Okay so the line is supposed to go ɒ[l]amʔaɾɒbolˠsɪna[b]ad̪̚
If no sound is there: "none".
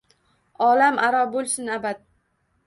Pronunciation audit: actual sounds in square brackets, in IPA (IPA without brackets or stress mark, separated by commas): l, b